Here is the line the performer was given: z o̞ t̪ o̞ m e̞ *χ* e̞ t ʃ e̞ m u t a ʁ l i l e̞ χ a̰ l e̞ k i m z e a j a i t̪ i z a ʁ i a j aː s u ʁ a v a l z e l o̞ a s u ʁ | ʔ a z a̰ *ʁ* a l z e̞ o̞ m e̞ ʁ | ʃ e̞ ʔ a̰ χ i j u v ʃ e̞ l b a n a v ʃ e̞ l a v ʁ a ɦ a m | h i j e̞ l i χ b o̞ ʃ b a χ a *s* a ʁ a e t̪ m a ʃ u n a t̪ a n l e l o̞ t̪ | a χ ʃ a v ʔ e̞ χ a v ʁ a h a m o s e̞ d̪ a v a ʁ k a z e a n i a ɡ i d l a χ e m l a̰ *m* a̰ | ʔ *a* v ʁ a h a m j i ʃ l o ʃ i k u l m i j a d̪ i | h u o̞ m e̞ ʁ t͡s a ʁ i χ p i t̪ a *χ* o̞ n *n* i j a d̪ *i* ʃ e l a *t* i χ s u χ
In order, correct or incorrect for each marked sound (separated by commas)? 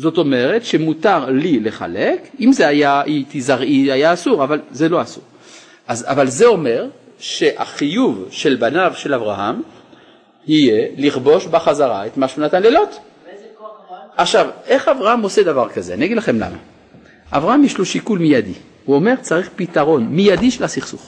incorrect, incorrect, incorrect, correct, correct, incorrect, incorrect, correct, incorrect